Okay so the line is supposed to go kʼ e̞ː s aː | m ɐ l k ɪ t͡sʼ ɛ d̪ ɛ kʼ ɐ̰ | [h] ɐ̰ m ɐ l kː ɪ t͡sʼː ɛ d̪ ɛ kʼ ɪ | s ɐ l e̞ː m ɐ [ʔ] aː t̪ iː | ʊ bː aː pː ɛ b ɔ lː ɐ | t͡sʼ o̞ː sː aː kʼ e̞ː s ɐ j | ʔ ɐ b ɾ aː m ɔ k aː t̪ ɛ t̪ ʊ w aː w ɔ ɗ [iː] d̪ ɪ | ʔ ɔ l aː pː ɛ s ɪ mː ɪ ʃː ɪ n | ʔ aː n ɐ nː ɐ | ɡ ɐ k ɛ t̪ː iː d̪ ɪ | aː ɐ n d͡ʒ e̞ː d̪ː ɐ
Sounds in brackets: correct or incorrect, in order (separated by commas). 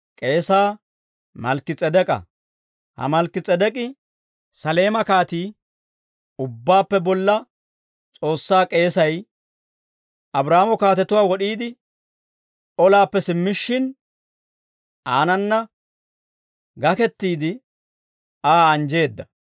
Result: correct, incorrect, correct